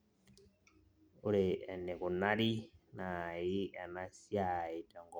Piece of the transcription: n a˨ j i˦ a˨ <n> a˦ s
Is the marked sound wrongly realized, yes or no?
no